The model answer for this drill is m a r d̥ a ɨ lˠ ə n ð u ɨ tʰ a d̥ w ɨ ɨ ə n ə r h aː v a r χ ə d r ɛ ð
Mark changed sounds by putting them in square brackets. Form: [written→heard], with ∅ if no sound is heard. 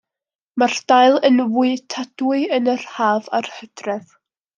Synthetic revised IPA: m a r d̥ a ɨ lˠ ə n [ð→v] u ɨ tʰ a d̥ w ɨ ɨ ə n ə r h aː v a r [χ→h] ə d r ɛ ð

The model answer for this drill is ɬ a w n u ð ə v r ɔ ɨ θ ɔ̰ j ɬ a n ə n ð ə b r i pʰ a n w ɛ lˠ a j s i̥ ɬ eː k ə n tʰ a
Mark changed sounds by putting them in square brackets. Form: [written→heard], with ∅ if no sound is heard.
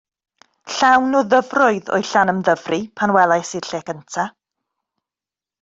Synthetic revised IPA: ɬ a w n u ð ə v r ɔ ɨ [θ→ð] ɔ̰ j ɬ a n ə [n→m] ð ə [b→v] r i pʰ a n w ɛ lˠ a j s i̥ ɬ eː k ə n tʰ a

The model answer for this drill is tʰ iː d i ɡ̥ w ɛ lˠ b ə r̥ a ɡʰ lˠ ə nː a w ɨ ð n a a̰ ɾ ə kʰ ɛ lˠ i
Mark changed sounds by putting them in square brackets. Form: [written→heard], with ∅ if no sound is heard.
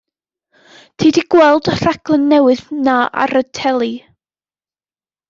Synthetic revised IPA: tʰ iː d i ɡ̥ w ɛ lˠ [b→d] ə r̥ a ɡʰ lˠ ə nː [a→ɛ] w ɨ ð n a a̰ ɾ ə [kʰ→tʰ] ɛ lˠ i

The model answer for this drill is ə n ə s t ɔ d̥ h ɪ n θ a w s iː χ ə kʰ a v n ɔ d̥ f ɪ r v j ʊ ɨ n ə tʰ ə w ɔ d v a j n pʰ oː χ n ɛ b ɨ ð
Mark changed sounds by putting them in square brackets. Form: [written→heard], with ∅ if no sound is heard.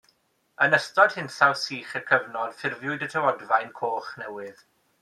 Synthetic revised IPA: ə n ə s t ɔ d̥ h ɪ n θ a w s iː χ ə kʰ [a→ə] v n ɔ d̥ f ɪ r v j ʊ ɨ [n→d] ə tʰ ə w ɔ d v a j n [pʰ→kʰ] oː χ n ɛ [b→w] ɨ ð

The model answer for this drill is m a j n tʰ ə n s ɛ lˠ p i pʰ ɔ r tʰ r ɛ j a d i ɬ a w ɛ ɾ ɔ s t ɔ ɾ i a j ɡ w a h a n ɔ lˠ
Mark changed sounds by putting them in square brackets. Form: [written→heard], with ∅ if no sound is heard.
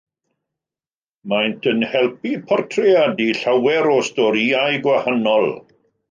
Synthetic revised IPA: m a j n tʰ ə n [s→h] ɛ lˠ p i pʰ ɔ r tʰ r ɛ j a d i ɬ a w ɛ ɾ ɔ s t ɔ ɾ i a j ɡ w a h a n ɔ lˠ

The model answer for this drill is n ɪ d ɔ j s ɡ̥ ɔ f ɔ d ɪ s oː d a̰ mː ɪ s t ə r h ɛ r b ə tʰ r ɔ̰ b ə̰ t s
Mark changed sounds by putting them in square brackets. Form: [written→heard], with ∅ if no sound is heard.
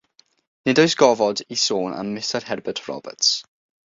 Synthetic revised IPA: n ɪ d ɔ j s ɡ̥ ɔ [f→v] ɔ d [ɪ→i] s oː [d→n] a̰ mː ɪ s t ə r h ɛ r b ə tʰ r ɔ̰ b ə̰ t s

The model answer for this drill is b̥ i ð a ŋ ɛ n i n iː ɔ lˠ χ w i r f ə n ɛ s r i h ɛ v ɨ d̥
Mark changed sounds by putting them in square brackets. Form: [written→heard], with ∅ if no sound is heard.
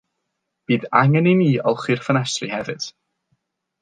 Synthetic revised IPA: b̥ [i→iː] ð a ŋ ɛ n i n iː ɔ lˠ χ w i r f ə n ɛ s r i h ɛ v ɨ d̥

